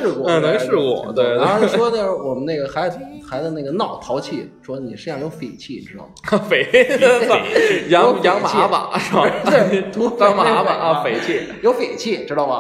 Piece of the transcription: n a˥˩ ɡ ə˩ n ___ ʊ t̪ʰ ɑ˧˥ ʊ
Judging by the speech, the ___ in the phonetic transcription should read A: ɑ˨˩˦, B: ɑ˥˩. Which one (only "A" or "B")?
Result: B